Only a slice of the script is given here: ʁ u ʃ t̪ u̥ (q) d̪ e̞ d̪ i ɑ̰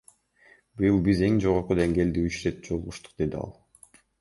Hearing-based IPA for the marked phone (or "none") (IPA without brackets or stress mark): q